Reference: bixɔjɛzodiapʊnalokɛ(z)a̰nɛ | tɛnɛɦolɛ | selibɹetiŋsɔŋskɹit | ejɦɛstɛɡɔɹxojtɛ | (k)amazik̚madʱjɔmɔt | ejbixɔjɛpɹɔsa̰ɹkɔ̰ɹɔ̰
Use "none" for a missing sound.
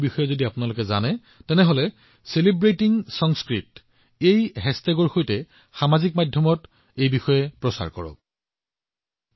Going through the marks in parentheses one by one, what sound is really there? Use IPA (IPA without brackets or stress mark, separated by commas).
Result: z, x